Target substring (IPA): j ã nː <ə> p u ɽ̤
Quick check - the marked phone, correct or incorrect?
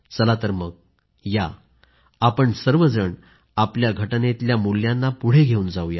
incorrect